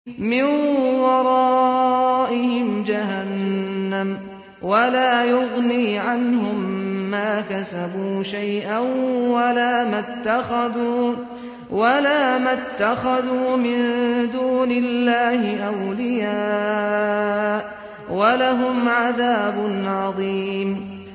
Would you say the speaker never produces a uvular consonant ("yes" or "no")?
yes